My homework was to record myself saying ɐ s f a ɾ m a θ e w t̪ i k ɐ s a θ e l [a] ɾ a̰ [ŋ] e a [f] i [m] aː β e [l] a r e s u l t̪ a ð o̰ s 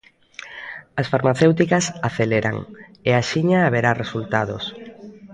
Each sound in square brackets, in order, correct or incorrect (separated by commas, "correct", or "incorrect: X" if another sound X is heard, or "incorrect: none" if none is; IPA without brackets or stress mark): incorrect: e, correct, incorrect: ʃ, incorrect: ɲ, incorrect: ɾ